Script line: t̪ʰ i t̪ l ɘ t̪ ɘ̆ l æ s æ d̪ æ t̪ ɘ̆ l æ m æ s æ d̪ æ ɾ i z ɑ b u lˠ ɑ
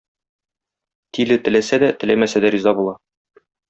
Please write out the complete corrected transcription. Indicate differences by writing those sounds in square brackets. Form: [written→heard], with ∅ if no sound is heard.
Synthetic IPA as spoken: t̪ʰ i [t̪→∅] l ɘ t̪ ɘ̆ l æ s æ d̪ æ t̪ ɘ̆ l æ m æ s æ d̪ æ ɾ i z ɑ b u lˠ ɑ